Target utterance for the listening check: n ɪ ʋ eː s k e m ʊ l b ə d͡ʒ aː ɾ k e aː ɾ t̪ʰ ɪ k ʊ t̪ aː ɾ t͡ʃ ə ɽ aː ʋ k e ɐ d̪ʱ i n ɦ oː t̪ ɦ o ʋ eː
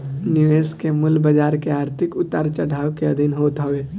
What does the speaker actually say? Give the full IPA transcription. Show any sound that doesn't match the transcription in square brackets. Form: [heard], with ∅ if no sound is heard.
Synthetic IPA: n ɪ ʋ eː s k e m ʊ l b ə d͡ʒ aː ɾ k e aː ɾ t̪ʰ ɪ k ʊ t̪ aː ɾ t͡ʃ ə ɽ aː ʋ k e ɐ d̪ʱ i n ɦ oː t̪ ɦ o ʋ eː

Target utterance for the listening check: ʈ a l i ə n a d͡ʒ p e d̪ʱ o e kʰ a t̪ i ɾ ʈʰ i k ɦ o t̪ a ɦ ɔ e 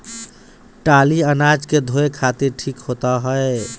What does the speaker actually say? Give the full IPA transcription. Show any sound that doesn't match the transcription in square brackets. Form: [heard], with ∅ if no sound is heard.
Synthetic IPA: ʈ a l i ə n a d͡ʒ [k] e d̪ʱ o e kʰ a t̪ i ɾ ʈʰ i k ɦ o t̪ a ɦ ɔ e

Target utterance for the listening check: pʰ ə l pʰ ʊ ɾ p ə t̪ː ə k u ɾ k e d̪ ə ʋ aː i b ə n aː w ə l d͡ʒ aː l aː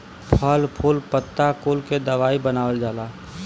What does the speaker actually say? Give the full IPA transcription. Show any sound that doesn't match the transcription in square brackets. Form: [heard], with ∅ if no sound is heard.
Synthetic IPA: pʰ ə l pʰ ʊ [l] p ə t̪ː [a] k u [l] k e d̪ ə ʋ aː i b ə n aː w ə l d͡ʒ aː l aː

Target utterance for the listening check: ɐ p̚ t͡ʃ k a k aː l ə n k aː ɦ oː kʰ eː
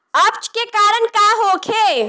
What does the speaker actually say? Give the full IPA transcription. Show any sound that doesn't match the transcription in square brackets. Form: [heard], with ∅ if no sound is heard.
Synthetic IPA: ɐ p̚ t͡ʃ k [e] k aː [ɾ] ə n k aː ɦ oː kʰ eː

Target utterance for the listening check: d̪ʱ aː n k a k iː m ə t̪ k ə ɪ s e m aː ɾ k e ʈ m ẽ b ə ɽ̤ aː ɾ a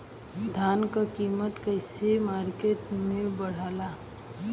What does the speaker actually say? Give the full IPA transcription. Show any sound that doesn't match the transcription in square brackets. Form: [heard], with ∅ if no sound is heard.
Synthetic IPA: d̪ʱ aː n k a k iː m ə t̪ k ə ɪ s e m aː ɾ k e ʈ m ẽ b ə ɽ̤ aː [l] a

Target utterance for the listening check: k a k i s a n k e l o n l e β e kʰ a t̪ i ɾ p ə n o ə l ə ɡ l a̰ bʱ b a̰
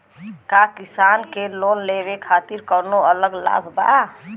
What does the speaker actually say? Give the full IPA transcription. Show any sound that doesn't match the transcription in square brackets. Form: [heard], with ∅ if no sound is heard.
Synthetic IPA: k a k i s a n k e l o n l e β e kʰ a t̪ i ɾ [k] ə n o ə l ə ɡ l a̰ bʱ b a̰

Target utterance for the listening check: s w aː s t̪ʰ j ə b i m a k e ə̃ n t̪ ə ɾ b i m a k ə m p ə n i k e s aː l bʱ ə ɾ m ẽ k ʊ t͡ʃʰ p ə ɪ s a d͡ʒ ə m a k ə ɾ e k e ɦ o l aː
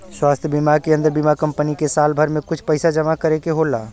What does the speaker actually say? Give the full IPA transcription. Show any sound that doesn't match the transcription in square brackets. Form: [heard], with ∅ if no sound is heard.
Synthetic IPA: s w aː s t̪ʰ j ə b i m a k e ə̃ n [d̪] ə ɾ b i m a k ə m p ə n i k e s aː l bʱ ə ɾ m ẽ k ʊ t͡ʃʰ p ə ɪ s a d͡ʒ ə m a k ə ɾ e k e ɦ o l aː

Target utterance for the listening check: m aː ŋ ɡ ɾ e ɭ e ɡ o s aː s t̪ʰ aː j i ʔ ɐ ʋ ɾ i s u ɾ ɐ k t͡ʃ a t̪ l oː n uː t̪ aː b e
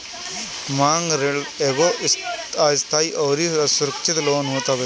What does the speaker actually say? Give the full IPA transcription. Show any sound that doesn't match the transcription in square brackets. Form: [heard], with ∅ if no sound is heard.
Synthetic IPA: m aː ŋ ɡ ɾ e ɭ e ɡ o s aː s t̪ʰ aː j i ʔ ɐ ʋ ɾ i s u ɾ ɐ k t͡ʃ [i] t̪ l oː n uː t̪ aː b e

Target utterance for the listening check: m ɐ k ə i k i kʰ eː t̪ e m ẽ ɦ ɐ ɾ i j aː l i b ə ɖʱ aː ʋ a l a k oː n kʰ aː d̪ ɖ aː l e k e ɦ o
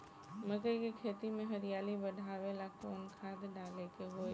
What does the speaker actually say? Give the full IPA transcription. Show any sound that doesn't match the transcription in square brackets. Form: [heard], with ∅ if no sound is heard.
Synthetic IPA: m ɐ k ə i k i kʰ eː t̪ [i] m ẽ ɦ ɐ ɾ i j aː l i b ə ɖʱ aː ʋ [e] l a k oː n kʰ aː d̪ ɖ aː l e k e ɦ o

